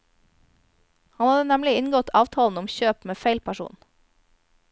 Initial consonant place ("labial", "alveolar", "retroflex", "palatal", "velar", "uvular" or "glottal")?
glottal